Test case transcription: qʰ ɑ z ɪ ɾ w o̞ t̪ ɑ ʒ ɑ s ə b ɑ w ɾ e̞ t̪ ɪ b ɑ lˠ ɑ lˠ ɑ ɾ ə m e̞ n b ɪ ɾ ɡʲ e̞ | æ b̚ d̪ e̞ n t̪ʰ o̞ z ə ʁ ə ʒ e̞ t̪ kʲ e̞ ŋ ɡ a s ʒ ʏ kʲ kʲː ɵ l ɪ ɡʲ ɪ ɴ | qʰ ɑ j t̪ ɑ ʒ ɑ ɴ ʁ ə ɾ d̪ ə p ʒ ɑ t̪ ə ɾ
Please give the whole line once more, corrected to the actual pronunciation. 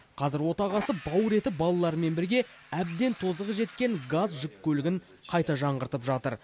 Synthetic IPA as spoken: qʰ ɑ z ɪ ɾ w o̞ t̪ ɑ ʁ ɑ s ə b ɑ w ɾ e̞ t̪ ɪ b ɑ lˠ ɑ lˠ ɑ ɾ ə m e̞ n b ɪ ɾ ɡʲ e̞ | æ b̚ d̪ e̞ n t̪ʰ o̞ z ə ʁ ə ʒ e̞ t̪ kʲ e̞ ŋ ɡ a z ʒ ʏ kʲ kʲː ɵ l ɪ ɡʲ ɪ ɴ | qʰ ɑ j t̪ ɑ ʒ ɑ ɴ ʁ ə ɾ t̪ ə p ʒ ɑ t̪ ə ɾ

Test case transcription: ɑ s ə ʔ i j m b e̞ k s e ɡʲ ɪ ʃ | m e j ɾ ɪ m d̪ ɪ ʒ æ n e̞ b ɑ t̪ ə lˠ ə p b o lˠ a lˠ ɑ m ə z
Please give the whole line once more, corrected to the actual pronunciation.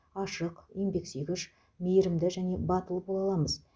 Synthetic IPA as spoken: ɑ ʃ ə q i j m b e̞ k s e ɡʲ ɪ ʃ | m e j ɾ ɪ m d̪ ɪ ʒ æ n e̞ b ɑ t̪ ə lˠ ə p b o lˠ ɑ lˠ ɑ m ə z

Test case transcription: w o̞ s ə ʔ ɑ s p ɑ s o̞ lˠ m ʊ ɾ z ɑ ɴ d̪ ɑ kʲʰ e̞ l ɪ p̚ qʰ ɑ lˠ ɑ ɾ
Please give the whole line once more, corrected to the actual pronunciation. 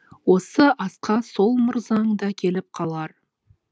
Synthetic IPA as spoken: w o̞ s ə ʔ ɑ s q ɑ s o̞ lˠ m ʊ ɾ z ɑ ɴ d̪ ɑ kʲʰ e̞ l ɪ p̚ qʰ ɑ lˠ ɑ ɾ

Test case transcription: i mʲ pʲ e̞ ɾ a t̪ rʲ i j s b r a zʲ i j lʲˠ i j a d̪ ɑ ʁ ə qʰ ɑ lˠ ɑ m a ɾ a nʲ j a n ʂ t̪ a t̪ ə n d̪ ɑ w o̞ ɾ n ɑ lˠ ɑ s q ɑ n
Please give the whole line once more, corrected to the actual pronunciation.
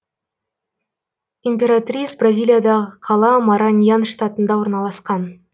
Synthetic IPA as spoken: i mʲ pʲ e̞ ɾ a t̪ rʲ i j s b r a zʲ i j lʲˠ i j a d̪ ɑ ʁ ə qʰ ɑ lˠ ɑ m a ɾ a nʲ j a n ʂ t̪ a t̪ ə n d̪ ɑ w o̞ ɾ n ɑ lˠ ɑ s q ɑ n

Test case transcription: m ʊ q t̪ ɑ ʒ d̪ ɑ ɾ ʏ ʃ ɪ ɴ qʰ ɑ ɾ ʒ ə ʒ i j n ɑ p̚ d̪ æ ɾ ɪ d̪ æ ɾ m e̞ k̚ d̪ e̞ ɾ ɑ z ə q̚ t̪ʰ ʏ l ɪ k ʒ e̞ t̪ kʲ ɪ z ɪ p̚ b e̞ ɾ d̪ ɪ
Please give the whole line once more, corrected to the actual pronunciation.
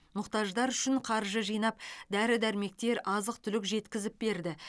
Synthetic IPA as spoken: m ʊ q t̪ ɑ ʒ d̪ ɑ ɾ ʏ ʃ ɪ ɴ qʰ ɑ ɾ ʒ ə ʒ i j n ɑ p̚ d̪ æ ɾ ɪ d̪ æ ɾ m e̞ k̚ t̪ e̞ ɾ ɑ z ə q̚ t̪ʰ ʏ l ɪ k ʒ e̞ t̪ kʲ ɪ z ɪ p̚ b e̞ ɾ d̪ ɪ

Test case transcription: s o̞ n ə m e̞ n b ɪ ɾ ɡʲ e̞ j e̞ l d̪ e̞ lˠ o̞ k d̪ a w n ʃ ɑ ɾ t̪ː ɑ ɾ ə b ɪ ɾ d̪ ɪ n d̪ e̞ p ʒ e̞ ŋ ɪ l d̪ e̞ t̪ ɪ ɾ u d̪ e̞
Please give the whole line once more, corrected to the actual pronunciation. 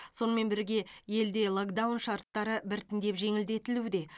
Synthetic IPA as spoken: s o̞ n ə m e̞ n b ɪ ɾ ɡʲ e̞ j e̞ l d̪ e̞ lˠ o̞ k d̪ a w n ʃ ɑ ɾ t̪ː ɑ ɾ ə b ɪ ɾ t̪ ɪ n d̪ e̞ p ʒ e̞ ŋ ɪ l d̪ e̞ t̪ ɪ l u d̪ e̞

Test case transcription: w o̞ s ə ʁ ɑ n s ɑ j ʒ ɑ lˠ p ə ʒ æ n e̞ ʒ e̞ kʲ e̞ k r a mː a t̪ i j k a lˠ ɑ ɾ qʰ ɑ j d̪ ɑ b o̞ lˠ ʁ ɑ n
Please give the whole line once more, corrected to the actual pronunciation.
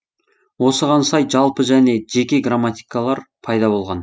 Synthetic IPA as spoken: w o̞ s ə ʁ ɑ n s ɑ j ʒ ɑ lˠ p ə ʒ æ n e̞ ʒ e̞ kʲ e̞ ɡ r a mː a t̪ i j k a lˠ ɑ ɾ pʰ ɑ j d̪ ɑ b o̞ lˠ ʁ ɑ n

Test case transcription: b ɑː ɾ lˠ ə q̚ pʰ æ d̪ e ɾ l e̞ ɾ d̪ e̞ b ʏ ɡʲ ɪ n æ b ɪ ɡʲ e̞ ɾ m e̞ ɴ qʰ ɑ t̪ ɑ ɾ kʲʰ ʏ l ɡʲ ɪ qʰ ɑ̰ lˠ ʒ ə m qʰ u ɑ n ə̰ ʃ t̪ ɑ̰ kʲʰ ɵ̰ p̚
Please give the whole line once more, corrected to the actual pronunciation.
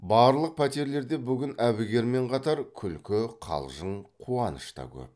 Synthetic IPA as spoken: b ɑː ɾ lˠ ə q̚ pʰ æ t̪ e ɾ l e̞ ɾ d̪ e̞ b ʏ ɡʲ ɪ n æ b ɪ ɡʲ e̞ ɾ m e̞ ɴ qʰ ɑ t̪ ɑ ɾ kʲʰ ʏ l kʲ ɪ qʰ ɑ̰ lˠ ʒ ə ɴ qʰ u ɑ n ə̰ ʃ t̪ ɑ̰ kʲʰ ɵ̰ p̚

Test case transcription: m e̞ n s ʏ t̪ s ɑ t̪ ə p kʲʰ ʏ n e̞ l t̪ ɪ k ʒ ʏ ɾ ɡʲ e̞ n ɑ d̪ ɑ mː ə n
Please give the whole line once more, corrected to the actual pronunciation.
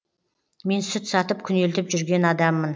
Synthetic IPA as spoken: m e̞ n s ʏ t̪ s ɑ t̪ ə p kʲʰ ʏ n e̞ l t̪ ɪ p ʒ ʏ ɾ ɡʲ e̞ n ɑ d̪ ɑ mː ə n

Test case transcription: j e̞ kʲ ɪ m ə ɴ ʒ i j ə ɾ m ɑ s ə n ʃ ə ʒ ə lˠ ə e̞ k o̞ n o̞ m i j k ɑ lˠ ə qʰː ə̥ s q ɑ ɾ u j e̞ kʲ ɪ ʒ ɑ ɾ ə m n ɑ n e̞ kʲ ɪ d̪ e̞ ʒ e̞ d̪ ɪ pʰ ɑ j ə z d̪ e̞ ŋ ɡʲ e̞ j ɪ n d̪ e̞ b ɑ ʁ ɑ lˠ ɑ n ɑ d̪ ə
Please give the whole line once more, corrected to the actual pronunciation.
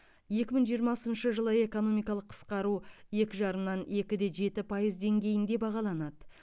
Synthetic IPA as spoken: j e̞ kʲ ɪ m ə ɴ ʒ i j ə ɾ m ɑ s ə n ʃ ə ʒ ə lˠ ə e̞ k o̞ n o̞ m i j k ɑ lˠ ə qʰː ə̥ s q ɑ ɾ u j e̞ kʲ ɪ ʒ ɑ ɾ ə m n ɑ n e̞ kʲ ɪ d̪ e̞ ʒ e̞ t̪ ɪ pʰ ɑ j ə z d̪ e̞ ŋ ɡʲ e̞ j ɪ n d̪ e̞ b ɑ ʁ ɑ lˠ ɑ n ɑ d̪ ə

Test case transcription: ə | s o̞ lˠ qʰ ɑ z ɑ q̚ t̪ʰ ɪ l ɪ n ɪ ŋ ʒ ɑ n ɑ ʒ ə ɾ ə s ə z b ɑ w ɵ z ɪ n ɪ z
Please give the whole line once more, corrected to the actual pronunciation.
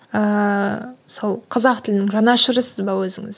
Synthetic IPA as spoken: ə | s o̞ lˠ qʰ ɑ z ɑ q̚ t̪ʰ ɪ l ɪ n ɪ ŋ ʒ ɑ n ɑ ʃ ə ɾ ə s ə z b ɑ w ɵ z ɪ ŋ ɪ z

